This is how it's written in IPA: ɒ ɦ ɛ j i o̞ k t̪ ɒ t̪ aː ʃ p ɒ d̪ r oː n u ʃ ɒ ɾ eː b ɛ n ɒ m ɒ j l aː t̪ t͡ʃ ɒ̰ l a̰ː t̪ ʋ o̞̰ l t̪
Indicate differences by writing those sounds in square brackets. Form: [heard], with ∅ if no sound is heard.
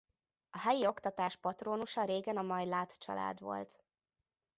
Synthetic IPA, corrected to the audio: ɒ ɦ ɛ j i o̞ k t̪ ɒ t̪ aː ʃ p ɒ [t̪] r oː n u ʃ ɒ ɾ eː [ɡ] ɛ n ɒ m ɒ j l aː t̪ t͡ʃ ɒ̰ l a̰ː [d̪] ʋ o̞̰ l t̪